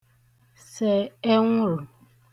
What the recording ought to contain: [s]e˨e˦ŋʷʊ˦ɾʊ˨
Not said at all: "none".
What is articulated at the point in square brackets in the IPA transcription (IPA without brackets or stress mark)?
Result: s